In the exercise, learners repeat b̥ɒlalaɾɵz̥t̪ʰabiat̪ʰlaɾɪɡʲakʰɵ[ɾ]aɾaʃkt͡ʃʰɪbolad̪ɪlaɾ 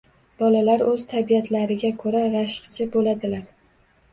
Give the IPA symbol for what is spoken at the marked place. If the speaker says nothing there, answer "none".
ɾ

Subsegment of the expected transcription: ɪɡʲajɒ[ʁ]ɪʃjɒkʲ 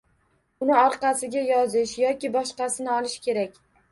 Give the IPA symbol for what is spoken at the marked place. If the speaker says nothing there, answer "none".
z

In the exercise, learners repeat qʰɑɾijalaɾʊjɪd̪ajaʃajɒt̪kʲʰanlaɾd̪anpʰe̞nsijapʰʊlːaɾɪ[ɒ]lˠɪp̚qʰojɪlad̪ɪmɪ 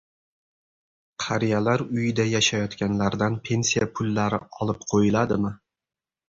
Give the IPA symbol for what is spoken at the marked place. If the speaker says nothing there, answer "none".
ɒ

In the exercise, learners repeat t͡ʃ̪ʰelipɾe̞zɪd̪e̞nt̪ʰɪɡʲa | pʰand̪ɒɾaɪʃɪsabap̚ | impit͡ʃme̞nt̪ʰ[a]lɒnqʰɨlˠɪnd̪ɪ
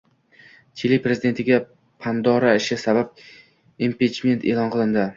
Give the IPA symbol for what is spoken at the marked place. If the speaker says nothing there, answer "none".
e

